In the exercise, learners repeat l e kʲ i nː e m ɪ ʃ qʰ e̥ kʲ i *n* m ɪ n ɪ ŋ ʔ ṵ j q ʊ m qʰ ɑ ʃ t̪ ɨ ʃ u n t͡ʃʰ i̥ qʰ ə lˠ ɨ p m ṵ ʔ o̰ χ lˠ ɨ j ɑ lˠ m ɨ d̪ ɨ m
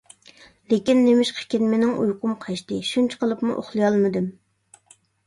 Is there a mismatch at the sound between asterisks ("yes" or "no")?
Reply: no